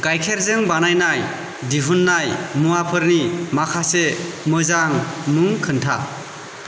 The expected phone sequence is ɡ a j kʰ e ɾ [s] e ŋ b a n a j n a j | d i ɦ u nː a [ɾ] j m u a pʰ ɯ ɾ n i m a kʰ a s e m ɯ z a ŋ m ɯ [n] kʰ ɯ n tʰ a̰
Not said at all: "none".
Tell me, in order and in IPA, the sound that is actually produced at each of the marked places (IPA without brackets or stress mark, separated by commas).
z, none, ŋ